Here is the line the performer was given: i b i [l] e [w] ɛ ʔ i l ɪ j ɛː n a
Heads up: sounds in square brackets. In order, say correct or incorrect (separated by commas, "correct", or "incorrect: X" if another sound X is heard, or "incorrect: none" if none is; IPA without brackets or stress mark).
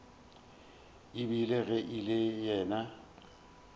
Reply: correct, incorrect: ɣ